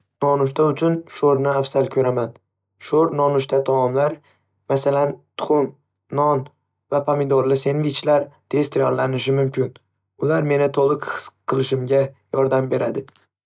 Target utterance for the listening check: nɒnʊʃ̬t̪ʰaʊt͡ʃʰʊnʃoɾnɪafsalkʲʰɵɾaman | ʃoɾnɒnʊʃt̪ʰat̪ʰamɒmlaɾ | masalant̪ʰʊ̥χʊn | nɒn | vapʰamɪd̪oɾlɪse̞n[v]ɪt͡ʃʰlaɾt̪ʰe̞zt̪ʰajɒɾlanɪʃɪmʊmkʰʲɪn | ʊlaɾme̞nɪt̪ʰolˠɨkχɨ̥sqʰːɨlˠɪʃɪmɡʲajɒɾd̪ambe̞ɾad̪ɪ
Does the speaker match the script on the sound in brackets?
yes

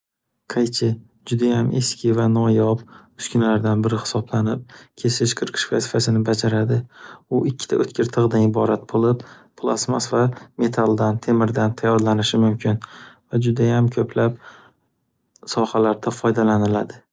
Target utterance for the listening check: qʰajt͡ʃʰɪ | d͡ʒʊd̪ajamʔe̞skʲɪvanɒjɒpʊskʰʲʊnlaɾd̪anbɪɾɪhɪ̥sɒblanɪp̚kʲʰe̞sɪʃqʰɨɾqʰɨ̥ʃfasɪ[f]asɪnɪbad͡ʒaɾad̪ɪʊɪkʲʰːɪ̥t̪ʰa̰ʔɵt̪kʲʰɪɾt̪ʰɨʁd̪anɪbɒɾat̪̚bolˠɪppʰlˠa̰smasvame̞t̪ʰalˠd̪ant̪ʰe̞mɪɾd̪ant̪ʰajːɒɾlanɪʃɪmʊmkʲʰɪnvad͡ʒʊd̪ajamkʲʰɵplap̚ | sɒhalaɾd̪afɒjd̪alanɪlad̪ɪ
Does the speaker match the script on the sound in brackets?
yes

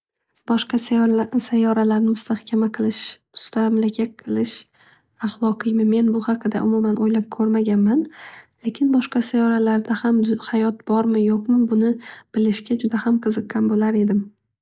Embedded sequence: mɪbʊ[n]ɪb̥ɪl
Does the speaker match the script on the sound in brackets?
yes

